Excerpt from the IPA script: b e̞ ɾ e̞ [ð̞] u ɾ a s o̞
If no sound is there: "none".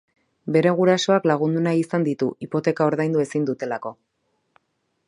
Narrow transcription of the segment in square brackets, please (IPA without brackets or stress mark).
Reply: ɣ̞